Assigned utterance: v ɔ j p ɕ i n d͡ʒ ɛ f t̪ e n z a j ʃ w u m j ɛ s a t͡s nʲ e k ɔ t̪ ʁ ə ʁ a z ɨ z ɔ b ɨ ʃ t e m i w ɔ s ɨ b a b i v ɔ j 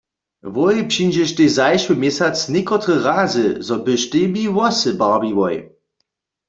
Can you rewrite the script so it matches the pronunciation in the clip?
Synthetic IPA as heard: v ɔ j p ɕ i n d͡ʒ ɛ ʃ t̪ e z a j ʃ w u m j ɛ s a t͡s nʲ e k ɔ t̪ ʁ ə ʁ a z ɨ z ɔ b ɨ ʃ t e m i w ɔ s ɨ b a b i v ɔ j